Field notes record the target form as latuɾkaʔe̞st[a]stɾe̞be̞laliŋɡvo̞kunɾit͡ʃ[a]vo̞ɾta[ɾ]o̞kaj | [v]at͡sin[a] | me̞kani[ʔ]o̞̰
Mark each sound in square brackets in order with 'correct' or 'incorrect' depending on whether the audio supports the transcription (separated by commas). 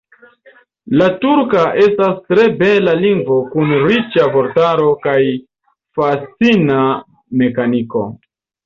correct, correct, correct, incorrect, correct, incorrect